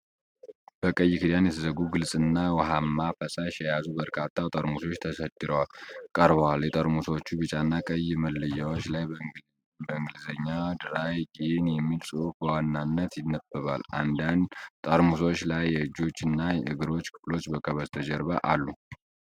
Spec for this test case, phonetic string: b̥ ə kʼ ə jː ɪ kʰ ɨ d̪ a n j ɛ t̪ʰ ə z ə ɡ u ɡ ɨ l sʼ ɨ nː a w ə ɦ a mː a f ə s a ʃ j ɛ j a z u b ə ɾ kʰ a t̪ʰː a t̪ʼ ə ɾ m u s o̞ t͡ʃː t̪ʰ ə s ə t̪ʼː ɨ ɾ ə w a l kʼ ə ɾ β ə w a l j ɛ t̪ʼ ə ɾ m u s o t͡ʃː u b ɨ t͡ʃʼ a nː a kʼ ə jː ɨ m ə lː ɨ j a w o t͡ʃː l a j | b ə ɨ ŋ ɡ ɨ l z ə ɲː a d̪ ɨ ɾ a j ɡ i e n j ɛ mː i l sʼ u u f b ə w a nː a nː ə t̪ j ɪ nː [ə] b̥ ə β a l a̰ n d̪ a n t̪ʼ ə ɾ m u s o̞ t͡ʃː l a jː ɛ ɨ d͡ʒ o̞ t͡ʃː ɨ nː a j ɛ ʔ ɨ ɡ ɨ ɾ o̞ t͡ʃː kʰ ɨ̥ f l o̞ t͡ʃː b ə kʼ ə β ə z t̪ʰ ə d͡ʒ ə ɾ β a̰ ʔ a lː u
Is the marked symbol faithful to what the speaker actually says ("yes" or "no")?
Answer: yes